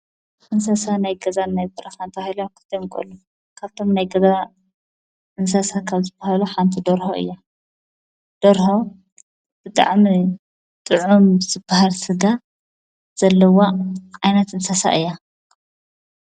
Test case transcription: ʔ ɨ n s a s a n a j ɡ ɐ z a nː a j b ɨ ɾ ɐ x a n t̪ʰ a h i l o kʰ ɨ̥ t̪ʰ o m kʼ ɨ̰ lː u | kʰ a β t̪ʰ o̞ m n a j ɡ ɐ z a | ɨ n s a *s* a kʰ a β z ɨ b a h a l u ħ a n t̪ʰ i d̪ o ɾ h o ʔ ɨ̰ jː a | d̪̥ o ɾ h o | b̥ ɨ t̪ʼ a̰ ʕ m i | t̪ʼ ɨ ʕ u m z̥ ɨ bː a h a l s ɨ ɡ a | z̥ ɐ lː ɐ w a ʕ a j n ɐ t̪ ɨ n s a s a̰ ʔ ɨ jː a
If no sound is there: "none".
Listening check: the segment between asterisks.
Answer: s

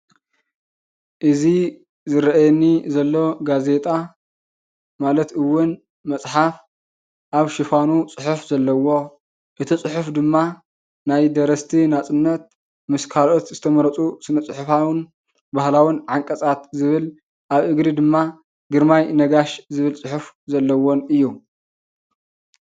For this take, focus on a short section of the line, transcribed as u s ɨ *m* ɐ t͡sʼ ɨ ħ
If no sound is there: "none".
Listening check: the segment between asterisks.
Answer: n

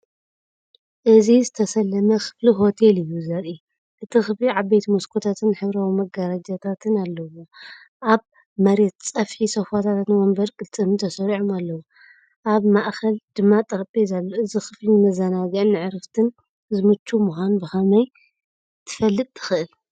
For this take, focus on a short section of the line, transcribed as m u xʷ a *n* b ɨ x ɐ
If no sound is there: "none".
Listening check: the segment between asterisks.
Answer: n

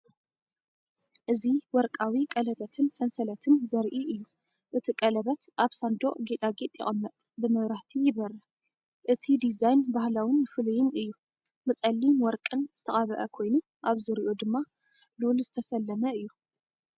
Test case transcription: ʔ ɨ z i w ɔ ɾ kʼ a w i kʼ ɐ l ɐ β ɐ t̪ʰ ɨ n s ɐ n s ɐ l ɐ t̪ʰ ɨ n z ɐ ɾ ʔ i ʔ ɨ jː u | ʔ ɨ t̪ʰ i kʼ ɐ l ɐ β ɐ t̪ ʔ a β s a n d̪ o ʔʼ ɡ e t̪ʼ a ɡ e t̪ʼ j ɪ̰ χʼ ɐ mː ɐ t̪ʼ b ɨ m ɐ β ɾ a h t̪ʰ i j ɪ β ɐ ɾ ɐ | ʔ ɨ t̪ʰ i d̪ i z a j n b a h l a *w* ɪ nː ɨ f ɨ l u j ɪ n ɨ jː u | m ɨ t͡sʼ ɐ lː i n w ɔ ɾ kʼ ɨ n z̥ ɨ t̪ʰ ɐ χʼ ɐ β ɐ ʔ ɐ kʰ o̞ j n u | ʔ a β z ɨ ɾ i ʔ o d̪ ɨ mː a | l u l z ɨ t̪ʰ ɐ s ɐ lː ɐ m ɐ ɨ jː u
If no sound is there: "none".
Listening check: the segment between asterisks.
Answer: w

